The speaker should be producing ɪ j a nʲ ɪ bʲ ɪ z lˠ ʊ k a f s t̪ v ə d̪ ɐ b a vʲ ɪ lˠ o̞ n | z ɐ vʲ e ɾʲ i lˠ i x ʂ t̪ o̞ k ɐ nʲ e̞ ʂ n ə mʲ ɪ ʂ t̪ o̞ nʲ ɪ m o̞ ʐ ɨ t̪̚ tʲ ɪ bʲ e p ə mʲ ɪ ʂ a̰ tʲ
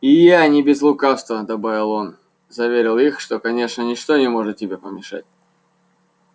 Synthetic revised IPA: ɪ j a nʲ ɪ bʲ ɪ z lˠ ʊ k a f s t̪ v ə d̪ ɐ b a vʲ ɪ lˠ o̞ n | z ɐ vʲ e ɾʲ ɪ lˠ i x ʂ t̪ o̞ k ɐ nʲ e̞ ʂ n ə nʲ ɪ ʂ t̪ o̞ nʲ ɪ m o̞ ʐ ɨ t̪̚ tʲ ɪ bʲ e p ə mʲ ɪ ʂ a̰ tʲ